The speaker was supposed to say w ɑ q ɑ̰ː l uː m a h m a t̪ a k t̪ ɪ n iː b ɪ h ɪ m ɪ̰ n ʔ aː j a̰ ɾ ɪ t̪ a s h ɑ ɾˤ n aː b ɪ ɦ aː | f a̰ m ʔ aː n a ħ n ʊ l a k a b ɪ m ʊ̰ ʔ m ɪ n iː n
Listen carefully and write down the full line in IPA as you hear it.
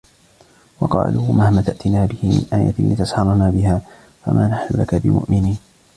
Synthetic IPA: w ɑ q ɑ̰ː l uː m a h m a t̪ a ʔ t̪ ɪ n aː b ɪ h ɪ m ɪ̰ n ʔ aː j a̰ l ɪ t̪ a s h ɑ ɾˤ n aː b ɪ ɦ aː | f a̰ m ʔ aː n a ħ n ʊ l a k a b ɪ m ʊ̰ ʔ m ɪ n iː n